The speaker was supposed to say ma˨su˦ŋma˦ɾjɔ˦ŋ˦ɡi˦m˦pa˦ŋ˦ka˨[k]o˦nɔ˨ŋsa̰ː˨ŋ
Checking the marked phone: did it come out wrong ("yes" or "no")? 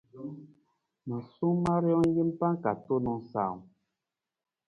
yes